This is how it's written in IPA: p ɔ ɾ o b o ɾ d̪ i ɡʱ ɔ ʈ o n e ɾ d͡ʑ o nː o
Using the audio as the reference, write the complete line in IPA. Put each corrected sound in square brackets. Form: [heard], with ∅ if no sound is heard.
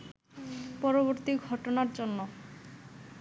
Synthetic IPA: p ɔ ɾ o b o ɾ [t̪] i ɡʱ ɔ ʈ o n [a] ɾ d͡ʑ o nː o